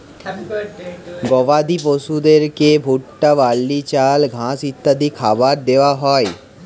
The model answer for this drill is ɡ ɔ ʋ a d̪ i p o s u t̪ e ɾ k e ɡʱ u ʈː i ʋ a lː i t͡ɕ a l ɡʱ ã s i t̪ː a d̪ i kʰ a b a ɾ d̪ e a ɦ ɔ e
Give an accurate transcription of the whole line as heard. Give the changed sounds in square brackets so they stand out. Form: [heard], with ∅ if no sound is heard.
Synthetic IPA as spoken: ɡ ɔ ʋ a d̪ i p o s u [d̪] e ɾ k e [bʱ] u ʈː [a] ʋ a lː i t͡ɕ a l ɡʱ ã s i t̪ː a d̪ i kʰ a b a ɾ d̪ e a ɦ ɔ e